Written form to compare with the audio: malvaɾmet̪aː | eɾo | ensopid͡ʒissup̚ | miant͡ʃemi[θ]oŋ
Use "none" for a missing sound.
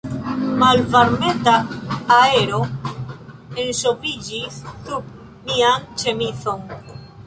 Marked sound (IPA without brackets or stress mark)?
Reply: θ